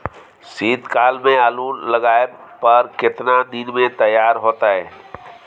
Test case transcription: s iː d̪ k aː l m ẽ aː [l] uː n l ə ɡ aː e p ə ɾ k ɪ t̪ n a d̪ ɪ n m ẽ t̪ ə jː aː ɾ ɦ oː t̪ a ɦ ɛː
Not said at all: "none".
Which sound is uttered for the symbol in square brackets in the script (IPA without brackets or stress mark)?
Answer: l